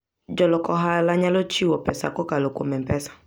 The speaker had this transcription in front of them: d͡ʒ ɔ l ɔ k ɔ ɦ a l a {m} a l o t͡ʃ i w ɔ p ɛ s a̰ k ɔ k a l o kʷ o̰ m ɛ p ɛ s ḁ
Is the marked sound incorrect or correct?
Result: incorrect